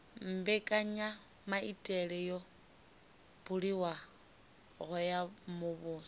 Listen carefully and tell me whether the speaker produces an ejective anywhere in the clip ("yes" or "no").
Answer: yes